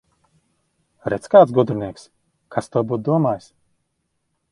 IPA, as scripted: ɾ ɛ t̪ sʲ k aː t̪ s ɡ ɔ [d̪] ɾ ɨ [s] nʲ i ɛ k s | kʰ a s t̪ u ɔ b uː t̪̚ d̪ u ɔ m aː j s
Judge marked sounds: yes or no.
yes, no

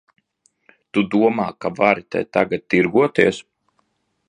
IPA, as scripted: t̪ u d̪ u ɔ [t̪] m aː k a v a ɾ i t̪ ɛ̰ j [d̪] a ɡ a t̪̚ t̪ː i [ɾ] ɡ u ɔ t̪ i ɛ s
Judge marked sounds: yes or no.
no, no, yes

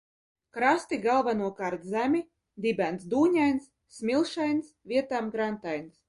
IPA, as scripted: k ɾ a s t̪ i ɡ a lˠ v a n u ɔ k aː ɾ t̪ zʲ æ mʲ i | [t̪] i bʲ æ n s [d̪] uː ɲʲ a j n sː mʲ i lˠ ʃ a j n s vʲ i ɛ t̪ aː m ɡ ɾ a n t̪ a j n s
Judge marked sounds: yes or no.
no, yes

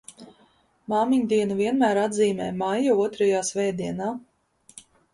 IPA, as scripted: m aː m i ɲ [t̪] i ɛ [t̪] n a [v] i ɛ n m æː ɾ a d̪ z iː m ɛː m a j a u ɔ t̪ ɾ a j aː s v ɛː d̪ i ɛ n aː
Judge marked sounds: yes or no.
no, no, yes

